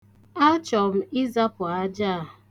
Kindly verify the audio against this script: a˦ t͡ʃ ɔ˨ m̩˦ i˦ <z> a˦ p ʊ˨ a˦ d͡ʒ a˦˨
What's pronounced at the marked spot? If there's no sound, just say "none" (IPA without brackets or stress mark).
z